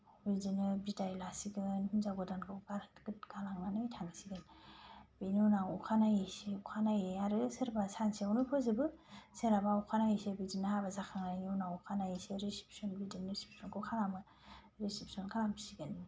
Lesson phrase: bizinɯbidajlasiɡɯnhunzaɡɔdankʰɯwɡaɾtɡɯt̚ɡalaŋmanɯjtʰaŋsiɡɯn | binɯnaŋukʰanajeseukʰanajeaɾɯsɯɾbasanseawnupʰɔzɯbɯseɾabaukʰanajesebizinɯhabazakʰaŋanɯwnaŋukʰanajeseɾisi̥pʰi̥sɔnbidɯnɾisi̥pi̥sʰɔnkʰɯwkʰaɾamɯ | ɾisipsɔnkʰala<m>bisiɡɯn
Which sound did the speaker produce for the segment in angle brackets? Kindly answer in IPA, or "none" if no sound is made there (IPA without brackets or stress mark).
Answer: m